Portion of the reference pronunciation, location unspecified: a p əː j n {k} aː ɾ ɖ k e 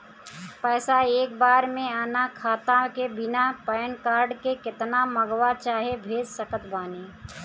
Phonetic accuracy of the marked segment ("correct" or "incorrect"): correct